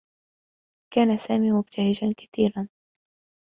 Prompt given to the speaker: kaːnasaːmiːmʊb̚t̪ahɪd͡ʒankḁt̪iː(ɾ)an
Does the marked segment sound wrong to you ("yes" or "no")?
no